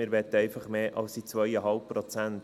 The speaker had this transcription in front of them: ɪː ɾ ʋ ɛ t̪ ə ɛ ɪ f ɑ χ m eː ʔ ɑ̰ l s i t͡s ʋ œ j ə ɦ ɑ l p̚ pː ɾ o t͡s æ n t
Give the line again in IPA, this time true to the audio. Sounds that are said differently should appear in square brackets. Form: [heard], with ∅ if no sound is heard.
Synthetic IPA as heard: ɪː ɾ ʋ ɛ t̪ ə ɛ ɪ f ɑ χ m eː ʔ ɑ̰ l s i t͡s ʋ œ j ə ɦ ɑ l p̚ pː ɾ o t͡s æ n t